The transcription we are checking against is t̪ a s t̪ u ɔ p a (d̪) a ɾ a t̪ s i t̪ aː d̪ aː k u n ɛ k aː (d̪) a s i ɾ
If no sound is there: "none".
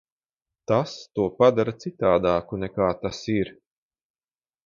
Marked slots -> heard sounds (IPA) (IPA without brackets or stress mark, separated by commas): d̪, t̪